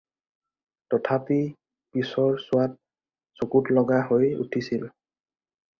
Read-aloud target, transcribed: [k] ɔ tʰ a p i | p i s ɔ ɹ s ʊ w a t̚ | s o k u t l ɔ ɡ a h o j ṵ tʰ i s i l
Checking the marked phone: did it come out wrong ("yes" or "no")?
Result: yes